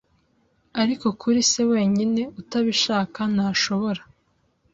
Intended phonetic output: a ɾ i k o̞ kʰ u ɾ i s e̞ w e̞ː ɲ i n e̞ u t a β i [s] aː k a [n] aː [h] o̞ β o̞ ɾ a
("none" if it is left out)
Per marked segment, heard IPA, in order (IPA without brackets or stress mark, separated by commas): ʃ, n, ʃ